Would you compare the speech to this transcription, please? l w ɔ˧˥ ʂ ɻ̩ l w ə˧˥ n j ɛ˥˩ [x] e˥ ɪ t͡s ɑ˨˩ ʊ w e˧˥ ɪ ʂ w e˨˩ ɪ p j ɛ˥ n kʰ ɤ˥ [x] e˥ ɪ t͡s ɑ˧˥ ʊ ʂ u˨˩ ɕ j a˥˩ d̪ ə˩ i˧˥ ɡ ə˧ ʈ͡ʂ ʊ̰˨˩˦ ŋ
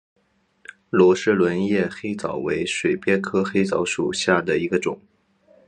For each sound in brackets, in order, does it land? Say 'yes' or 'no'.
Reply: yes, yes

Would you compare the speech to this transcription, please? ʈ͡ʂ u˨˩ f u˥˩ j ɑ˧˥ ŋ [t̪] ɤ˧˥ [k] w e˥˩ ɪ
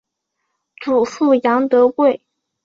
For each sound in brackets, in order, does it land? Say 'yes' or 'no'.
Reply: yes, yes

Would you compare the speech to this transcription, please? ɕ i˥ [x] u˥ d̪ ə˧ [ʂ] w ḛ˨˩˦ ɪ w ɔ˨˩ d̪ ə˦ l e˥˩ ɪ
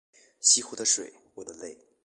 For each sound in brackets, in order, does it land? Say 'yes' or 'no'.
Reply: yes, yes

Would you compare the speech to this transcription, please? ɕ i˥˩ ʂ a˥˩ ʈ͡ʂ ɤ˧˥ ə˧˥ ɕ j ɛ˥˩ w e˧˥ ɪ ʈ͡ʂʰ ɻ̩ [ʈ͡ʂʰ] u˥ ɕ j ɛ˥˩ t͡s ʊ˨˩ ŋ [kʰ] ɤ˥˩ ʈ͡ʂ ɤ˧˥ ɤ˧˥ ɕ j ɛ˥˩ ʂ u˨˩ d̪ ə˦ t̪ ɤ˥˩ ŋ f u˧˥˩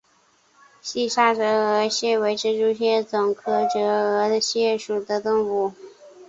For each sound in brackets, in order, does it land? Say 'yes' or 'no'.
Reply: no, yes

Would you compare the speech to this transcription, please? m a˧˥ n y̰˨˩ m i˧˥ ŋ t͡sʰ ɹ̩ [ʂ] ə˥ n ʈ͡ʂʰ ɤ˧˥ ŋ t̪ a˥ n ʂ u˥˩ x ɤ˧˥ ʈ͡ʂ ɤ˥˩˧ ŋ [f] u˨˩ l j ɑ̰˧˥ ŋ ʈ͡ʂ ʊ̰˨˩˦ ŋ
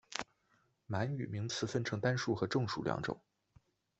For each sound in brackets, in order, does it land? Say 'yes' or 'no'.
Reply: no, no

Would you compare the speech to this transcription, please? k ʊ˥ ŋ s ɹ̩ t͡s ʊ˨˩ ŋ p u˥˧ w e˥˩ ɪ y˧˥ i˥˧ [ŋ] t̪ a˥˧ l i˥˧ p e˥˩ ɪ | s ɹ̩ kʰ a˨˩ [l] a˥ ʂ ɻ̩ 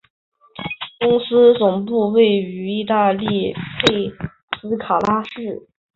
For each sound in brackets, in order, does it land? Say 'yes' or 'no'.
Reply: no, yes

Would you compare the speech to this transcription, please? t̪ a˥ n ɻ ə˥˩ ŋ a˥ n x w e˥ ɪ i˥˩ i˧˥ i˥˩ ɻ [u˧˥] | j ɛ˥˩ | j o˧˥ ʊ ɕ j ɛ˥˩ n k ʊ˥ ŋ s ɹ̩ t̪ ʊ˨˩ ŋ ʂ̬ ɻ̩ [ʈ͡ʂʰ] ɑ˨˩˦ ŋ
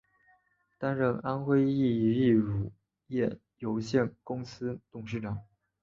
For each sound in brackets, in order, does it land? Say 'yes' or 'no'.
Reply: no, no

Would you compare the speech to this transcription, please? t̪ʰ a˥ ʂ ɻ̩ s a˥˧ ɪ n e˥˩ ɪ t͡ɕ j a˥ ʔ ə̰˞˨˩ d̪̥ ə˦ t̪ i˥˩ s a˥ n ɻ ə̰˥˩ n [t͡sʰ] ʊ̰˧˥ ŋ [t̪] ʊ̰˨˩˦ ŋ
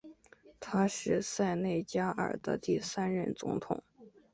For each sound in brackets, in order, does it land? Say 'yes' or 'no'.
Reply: no, no

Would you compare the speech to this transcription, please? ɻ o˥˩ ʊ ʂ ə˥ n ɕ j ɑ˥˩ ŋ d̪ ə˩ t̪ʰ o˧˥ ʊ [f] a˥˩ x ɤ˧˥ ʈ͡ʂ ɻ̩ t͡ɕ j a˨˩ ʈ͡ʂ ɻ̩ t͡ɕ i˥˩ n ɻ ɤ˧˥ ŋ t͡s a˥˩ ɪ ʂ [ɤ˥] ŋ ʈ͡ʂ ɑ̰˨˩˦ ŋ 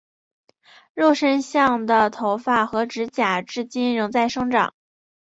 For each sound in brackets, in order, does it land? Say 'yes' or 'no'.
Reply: yes, yes

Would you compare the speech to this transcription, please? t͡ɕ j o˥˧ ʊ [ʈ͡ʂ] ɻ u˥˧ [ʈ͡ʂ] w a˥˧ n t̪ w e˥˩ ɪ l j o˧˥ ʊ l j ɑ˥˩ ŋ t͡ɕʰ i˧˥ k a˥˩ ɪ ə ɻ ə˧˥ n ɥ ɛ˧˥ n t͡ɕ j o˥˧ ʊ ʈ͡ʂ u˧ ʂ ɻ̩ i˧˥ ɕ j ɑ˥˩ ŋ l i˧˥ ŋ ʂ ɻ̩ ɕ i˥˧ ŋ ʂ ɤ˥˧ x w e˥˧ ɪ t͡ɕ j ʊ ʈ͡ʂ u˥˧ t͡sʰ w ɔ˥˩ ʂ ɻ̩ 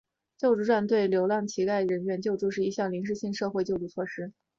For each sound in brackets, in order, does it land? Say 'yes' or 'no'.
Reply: yes, yes

